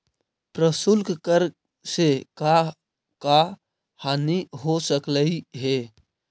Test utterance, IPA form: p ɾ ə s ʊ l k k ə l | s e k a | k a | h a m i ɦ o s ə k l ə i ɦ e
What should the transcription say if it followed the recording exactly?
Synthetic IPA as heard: p ɾ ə s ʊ l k k ə ɾ | s e k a | k a | h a n i ɦ o s ə k l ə i ɦ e